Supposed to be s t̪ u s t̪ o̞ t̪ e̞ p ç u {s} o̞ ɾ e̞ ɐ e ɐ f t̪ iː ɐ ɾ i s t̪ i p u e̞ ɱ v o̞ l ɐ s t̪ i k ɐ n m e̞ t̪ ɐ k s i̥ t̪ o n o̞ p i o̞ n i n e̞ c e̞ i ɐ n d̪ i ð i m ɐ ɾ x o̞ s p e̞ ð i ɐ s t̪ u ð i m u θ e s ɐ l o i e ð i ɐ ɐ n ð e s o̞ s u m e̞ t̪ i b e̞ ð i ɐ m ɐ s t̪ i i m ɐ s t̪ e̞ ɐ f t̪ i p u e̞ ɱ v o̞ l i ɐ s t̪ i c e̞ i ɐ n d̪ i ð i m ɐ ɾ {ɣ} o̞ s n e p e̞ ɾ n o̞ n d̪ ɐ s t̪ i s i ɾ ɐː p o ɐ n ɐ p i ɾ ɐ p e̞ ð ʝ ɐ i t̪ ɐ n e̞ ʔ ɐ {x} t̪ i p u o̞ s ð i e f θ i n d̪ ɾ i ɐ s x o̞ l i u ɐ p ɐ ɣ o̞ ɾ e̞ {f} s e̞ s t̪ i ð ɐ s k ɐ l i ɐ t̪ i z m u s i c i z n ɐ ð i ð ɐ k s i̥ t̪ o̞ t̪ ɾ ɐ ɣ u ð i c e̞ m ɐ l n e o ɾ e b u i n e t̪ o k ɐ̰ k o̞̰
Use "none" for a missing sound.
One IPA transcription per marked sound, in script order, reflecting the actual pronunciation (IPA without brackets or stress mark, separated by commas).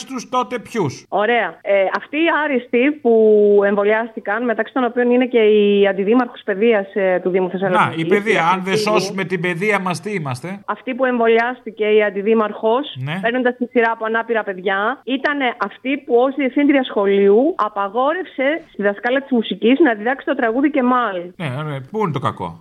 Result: s, x, f, f